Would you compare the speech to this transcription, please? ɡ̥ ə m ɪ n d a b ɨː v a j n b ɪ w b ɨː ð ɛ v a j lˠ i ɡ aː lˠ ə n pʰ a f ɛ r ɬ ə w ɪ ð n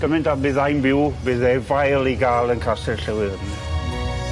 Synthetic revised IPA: ɡ̥ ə m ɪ n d a b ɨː ð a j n b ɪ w b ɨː ð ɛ v a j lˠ i ɡ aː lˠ ə n kʰ a s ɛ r ɬ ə w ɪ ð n